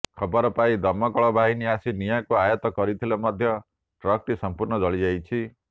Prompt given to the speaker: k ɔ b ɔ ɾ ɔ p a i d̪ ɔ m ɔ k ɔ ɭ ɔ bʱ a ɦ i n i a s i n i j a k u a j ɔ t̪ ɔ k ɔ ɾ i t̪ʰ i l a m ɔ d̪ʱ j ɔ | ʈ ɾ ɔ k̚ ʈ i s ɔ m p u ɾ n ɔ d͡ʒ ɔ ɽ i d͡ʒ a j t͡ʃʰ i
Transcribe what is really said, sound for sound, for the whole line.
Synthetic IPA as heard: kʰ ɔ b ɔ ɾ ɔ p a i d̪ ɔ m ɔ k ɔ ɭ ɔ bʱ a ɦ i n i a s i n i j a k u a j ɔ t̪ ɔ k ɔ ɾ i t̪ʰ i l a m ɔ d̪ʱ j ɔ | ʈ ɾ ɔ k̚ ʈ i s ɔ m p u ɾ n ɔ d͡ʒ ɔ ɭ i d͡ʒ a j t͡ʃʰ i